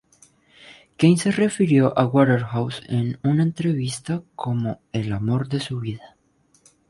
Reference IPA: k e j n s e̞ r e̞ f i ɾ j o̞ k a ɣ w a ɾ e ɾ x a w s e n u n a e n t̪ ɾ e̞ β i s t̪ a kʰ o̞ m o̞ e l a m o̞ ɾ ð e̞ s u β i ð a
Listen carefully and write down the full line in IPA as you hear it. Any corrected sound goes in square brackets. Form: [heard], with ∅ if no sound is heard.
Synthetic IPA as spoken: k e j n s e̞ r e̞ f i ɾ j o̞ [ʔ] a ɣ w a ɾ e ɾ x a w s e n u n a e n t̪ ɾ e̞ β i s t̪ a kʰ o̞ m o̞ e l a m o̞ ɾ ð e̞ s u β i ð a